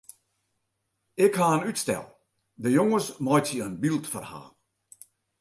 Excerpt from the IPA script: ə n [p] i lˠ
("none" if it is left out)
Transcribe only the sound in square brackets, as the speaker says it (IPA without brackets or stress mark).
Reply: b